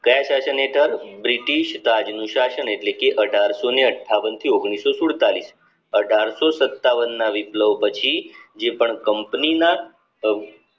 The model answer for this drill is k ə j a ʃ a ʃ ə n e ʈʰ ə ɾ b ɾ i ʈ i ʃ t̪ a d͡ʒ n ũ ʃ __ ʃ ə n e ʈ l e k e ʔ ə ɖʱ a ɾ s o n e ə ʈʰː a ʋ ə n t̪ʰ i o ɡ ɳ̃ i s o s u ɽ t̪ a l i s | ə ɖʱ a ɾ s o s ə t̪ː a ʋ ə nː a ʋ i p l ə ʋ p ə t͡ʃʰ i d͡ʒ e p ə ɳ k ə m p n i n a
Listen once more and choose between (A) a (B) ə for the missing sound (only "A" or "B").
A